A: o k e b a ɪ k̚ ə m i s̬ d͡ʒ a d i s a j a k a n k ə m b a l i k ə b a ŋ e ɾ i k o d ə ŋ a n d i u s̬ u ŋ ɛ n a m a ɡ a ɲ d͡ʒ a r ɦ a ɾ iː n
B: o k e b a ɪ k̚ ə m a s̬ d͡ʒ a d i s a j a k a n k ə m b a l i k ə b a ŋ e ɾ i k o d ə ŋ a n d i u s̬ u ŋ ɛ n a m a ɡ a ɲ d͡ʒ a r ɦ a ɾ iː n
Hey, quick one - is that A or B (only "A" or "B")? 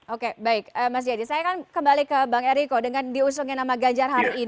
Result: B